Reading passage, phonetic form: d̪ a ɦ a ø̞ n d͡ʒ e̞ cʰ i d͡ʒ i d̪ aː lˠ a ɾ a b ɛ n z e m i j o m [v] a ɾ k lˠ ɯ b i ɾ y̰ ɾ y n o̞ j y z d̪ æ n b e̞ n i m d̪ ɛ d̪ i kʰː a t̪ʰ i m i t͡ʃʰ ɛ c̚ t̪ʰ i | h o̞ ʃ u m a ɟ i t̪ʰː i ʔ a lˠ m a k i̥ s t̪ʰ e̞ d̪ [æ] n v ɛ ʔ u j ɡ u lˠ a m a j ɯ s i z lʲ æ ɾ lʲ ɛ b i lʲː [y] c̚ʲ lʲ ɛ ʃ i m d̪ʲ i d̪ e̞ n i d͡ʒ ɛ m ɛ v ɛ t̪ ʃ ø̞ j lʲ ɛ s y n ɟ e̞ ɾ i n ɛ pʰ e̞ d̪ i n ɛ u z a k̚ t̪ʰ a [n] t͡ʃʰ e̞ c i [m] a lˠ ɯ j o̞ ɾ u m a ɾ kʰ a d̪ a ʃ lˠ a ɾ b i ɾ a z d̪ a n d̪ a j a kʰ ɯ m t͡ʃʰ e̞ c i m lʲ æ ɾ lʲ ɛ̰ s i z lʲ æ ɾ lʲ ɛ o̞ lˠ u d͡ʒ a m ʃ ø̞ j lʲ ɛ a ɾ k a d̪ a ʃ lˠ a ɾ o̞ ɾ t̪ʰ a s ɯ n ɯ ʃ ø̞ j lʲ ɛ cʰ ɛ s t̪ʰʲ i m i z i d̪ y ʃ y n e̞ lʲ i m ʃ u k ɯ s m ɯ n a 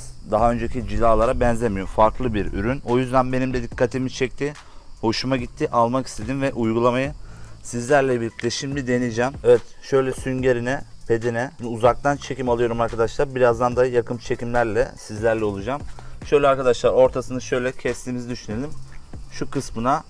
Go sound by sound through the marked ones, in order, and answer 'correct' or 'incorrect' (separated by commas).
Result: incorrect, incorrect, incorrect, correct, correct